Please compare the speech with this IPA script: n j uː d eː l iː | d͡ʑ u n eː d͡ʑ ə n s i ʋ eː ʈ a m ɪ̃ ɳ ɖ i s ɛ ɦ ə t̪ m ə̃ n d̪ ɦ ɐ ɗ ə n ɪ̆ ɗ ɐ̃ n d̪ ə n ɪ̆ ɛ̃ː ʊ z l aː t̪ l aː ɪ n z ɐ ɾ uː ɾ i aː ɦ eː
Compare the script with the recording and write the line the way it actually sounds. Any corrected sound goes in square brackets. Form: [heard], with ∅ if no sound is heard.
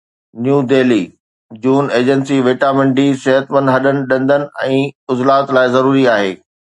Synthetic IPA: n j uː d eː l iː | d͡ʑ [uː] n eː d͡ʑ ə n s i ʋ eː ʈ a m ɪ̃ ɳ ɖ i s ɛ ɦ ə t̪ m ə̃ n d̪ ɦ ɐ ɗ ə n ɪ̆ ɗ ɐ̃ n d̪ ə n ɪ̆ ɛ̃ː ʊ z l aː t̪ l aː ɪ [∅] z ɐ ɾ uː ɾ i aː ɦ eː